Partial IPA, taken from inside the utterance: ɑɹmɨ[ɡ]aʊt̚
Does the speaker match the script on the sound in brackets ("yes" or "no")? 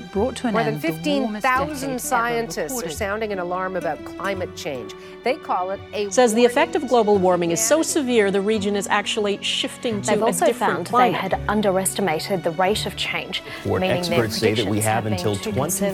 no